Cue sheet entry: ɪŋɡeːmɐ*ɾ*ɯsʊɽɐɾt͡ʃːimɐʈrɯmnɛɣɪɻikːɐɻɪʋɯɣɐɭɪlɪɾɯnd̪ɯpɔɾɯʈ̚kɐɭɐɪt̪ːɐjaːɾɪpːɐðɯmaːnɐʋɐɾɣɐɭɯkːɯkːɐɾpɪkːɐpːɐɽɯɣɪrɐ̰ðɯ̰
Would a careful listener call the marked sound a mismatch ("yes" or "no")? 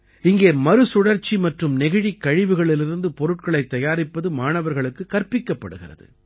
no